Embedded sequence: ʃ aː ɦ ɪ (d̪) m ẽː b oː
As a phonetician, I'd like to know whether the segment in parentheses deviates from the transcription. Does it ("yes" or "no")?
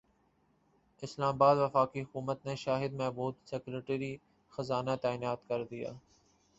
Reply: no